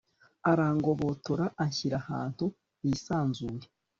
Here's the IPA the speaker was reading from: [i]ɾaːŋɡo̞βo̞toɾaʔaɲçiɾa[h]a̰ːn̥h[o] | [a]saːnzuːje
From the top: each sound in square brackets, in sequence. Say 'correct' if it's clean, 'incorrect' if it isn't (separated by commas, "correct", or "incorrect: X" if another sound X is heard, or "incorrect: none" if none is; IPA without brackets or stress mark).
incorrect: a, correct, incorrect: u, incorrect: i